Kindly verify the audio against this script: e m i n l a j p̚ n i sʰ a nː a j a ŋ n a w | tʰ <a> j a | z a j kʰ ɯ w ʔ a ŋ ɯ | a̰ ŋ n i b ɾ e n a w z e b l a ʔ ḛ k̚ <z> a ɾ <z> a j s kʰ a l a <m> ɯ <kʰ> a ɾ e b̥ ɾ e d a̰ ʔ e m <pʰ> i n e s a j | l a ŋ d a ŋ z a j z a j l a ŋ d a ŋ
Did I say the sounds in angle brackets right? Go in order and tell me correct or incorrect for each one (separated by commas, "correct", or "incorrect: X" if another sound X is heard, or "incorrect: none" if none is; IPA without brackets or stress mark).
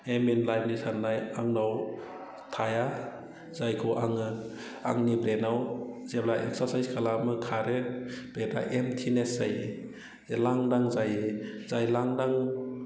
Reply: correct, incorrect: s, incorrect: s, correct, correct, incorrect: tʰ